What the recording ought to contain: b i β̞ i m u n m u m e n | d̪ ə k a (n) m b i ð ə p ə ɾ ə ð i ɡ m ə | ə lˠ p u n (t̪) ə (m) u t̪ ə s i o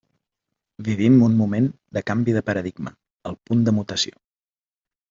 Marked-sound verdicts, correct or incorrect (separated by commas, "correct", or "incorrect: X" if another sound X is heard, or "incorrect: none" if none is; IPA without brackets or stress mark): incorrect: none, incorrect: d̪, correct